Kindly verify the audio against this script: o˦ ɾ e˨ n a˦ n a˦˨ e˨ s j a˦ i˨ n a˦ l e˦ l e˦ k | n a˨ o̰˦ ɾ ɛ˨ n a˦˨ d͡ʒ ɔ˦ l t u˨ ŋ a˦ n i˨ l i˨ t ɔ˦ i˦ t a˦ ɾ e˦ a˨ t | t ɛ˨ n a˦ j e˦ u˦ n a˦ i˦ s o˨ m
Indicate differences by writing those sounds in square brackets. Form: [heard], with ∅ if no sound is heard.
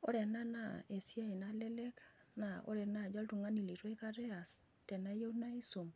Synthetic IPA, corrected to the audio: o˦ ɾ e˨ n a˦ n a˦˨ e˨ s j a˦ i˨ n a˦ l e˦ l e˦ k | n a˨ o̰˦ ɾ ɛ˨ n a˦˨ d͡ʒ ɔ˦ l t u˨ ŋ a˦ n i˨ l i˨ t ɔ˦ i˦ [k] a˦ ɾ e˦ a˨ [s] | t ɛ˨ n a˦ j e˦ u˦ n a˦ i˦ s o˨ m